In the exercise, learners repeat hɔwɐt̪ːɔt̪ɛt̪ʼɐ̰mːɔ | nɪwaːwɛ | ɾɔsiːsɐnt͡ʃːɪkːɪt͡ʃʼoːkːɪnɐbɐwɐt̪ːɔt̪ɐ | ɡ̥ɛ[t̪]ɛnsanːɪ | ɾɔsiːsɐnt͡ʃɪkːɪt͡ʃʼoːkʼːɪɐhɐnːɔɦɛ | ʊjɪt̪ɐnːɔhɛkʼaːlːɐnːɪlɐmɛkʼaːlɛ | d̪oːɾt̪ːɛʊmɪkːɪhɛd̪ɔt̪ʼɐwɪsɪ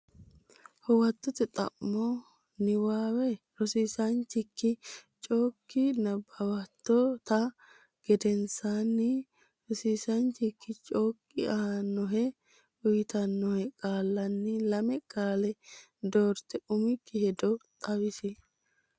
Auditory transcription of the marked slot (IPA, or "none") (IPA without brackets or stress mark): d̪